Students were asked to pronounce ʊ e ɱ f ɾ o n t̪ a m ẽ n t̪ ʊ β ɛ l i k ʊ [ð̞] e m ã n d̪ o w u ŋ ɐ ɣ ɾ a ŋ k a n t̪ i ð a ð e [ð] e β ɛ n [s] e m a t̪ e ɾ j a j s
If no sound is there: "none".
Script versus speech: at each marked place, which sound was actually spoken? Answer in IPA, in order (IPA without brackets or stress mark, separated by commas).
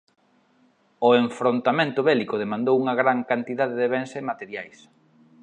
ð̞, ð, s